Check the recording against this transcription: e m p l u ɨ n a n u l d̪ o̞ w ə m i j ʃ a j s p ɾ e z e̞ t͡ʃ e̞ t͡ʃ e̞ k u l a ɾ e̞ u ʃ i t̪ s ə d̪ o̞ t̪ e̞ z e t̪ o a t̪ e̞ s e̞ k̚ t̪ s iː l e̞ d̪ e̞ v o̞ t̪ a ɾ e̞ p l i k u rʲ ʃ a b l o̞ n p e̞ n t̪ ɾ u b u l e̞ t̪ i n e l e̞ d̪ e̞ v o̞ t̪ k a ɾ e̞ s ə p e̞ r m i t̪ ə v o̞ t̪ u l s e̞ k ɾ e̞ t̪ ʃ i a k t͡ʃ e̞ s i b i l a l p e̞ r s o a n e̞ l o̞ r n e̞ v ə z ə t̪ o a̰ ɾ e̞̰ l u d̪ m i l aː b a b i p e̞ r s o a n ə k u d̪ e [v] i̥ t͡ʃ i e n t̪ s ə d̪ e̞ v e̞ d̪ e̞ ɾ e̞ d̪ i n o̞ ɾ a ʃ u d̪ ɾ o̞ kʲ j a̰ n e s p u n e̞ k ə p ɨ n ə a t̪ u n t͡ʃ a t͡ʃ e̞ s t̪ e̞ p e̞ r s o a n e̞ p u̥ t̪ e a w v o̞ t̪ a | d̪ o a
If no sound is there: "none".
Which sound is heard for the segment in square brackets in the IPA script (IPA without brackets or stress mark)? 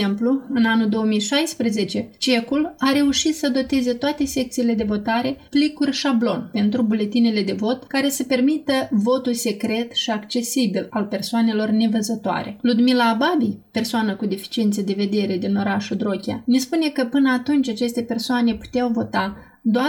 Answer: f